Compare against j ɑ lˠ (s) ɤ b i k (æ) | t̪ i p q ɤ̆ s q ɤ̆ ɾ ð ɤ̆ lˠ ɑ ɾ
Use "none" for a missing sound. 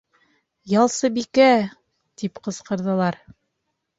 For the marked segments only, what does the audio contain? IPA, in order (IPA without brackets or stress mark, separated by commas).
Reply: s, æ